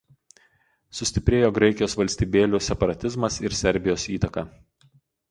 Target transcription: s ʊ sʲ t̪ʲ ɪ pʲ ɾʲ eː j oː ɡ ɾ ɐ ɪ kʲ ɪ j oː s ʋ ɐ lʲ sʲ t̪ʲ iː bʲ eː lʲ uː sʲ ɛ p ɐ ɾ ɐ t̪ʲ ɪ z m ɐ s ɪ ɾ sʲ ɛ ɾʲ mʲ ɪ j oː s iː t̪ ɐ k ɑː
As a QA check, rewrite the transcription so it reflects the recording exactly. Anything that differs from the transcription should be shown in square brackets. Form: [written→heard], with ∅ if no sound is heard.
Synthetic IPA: s ʊ sʲ t̪ʲ ɪ pʲ ɾʲ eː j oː ɡ ɾ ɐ ɪ kʲ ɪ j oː s ʋ ɐ lʲ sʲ t̪ʲ iː bʲ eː lʲ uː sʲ ɛ p ɐ ɾ ɐ t̪ʲ ɪ z m ɐ s ɪ ɾ sʲ ɛ ɾʲ [mʲ→bʲ] ɪ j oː s iː t̪ ɐ k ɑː